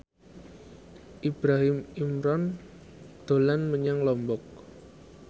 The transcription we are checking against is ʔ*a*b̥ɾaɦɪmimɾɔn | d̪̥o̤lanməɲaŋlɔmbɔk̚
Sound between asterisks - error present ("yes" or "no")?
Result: yes